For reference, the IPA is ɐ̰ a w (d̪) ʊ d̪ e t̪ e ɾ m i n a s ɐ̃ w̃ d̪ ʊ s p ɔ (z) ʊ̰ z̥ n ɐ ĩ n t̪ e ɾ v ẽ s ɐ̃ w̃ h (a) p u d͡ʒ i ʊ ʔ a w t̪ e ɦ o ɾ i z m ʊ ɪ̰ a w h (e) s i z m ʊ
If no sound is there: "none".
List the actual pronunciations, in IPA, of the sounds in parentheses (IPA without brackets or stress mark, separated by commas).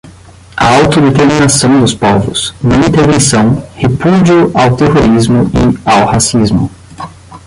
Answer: t̪, v, e, a